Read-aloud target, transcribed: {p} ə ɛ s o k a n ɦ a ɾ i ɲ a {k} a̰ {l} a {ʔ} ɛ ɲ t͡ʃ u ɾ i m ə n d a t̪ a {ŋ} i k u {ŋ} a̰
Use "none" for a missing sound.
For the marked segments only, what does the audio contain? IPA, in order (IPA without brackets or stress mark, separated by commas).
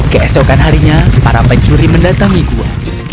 k, p, ɾ, p, ŋ, none